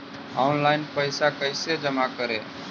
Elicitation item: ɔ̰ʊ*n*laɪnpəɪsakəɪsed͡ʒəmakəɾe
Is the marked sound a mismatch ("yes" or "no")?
no